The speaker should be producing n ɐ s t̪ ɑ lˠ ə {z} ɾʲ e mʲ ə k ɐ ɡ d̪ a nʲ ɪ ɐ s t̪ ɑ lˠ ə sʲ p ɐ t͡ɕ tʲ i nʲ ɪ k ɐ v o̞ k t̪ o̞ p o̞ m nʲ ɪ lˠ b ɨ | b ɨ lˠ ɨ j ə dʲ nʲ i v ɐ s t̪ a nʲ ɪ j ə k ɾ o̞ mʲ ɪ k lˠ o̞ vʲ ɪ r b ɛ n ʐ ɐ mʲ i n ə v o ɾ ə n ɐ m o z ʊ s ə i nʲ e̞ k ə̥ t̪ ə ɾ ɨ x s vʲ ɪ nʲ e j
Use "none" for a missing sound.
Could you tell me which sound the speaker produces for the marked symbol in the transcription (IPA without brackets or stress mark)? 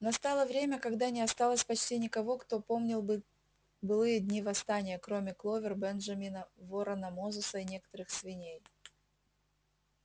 v